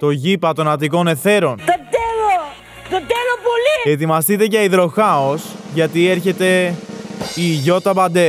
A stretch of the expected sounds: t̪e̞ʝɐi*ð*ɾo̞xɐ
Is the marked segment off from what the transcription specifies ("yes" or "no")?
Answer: no